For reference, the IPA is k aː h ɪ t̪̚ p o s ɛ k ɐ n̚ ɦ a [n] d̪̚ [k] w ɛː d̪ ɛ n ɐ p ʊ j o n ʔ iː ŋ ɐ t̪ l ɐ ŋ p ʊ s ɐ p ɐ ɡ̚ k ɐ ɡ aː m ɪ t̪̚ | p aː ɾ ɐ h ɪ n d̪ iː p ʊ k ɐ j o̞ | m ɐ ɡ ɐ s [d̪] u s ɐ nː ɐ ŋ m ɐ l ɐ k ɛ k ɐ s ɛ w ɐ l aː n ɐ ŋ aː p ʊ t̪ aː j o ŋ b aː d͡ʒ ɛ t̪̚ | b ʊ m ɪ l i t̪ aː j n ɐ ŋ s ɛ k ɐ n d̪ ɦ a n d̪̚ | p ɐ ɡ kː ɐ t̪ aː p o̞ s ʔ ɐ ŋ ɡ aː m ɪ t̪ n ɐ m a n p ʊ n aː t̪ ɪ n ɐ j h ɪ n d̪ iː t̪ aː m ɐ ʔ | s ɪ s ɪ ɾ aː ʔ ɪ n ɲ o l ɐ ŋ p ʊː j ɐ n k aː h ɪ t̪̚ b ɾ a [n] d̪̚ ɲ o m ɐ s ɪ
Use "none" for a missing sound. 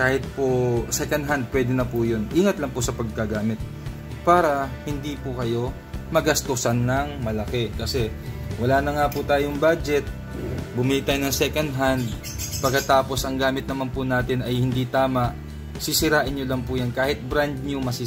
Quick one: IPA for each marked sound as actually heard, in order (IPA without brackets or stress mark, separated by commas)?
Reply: n, p, t̪, n